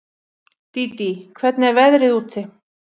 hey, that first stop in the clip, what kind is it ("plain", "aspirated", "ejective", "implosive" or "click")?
plain